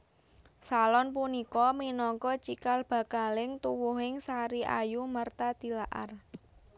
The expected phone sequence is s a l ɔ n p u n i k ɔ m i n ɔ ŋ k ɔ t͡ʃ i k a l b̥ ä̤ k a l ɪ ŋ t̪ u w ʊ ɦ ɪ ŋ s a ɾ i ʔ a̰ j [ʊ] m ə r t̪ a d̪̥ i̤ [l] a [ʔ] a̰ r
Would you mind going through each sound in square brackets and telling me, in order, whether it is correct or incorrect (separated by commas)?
incorrect, correct, correct